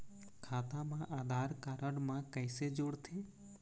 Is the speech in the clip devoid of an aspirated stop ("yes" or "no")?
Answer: no